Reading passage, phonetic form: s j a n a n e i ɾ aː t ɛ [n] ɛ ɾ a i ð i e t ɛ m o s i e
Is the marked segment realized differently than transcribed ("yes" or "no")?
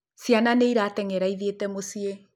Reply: yes